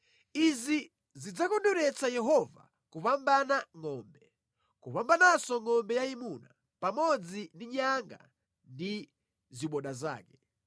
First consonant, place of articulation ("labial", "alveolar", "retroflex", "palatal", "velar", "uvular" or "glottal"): alveolar